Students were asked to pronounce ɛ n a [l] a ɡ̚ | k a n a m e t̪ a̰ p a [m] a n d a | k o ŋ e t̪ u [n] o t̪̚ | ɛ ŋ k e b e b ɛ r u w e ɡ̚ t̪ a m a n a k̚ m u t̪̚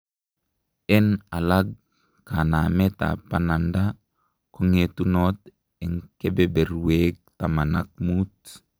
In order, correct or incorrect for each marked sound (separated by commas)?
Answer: correct, incorrect, correct